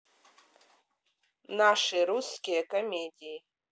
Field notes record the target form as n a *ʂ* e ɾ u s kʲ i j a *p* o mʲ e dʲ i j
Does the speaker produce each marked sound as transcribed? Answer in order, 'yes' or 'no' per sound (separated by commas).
yes, no